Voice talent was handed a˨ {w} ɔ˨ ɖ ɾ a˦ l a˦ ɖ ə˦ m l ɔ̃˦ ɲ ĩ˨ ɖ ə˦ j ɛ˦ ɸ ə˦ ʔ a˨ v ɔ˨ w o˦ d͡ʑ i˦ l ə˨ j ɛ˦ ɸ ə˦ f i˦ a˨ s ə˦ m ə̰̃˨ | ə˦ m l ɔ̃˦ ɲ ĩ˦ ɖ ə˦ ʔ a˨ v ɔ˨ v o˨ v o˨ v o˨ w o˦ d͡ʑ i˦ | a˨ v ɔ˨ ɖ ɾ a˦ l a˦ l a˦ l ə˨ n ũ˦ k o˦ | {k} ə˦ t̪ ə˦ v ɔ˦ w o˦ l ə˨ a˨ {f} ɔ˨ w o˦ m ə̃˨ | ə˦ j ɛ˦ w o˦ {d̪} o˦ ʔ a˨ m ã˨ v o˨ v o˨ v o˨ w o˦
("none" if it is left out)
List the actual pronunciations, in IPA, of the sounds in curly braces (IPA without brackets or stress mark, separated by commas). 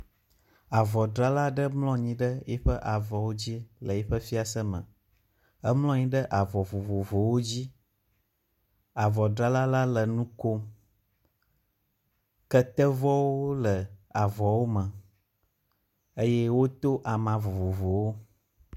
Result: v, k, v, t̪